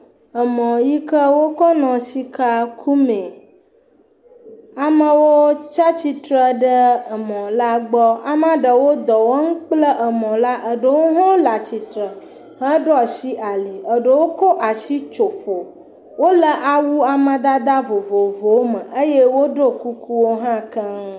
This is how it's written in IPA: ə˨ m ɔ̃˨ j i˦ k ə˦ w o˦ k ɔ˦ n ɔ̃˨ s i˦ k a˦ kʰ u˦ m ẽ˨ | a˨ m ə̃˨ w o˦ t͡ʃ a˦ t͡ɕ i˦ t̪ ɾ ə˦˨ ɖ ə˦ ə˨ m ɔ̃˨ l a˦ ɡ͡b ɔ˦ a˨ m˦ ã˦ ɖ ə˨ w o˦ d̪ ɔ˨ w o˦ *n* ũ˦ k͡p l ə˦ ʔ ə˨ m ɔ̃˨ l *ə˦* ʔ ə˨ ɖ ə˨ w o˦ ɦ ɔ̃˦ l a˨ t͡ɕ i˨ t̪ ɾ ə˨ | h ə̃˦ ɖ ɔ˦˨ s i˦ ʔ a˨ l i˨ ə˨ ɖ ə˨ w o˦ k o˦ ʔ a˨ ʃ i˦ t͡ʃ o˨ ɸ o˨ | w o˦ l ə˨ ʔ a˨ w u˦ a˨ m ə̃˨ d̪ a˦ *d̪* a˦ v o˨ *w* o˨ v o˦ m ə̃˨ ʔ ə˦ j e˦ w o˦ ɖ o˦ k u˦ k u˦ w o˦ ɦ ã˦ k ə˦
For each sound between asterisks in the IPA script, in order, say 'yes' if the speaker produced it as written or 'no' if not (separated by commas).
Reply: no, no, yes, no